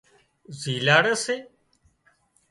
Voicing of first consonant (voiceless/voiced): voiced